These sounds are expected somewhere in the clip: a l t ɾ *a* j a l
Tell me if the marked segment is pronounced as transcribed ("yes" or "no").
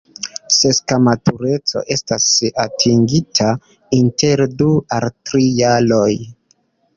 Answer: no